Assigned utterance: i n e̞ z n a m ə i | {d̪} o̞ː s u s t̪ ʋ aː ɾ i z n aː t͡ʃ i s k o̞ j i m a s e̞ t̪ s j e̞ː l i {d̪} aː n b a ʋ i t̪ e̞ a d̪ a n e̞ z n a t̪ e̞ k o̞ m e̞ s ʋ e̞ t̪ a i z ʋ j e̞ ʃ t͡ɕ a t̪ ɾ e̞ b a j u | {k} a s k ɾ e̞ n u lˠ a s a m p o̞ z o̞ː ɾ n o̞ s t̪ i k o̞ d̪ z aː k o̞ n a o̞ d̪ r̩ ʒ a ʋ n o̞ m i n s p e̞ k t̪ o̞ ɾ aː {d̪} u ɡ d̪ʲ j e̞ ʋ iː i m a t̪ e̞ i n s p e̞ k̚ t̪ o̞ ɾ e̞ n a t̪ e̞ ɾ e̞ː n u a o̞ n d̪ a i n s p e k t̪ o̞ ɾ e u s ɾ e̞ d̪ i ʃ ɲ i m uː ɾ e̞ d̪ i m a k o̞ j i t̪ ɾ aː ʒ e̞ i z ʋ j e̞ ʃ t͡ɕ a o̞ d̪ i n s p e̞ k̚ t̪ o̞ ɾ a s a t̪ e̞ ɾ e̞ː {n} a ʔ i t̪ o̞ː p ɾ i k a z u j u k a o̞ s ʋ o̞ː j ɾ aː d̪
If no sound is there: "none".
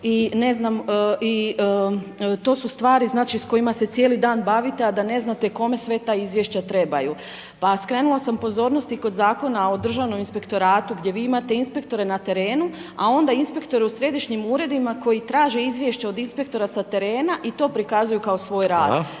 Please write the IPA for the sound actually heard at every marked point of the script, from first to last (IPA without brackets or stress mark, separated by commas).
t̪, d̪, p, t̪, n